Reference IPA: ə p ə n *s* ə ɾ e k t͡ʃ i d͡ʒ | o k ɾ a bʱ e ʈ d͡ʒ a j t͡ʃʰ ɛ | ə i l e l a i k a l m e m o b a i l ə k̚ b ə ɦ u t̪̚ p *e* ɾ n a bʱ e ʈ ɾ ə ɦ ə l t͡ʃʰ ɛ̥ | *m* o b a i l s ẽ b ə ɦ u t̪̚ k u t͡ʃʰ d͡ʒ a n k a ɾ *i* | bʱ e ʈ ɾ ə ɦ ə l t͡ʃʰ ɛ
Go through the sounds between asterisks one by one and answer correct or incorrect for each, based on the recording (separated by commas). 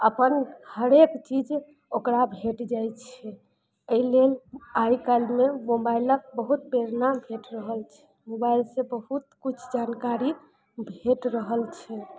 incorrect, correct, correct, correct